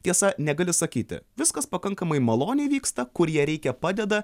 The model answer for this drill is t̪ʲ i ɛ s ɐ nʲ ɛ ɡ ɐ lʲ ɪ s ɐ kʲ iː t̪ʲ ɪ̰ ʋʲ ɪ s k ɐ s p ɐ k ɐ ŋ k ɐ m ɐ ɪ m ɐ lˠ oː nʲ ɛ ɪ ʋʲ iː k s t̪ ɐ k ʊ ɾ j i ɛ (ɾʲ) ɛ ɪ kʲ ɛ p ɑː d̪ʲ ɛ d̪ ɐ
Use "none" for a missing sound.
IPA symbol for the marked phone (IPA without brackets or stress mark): ɾʲ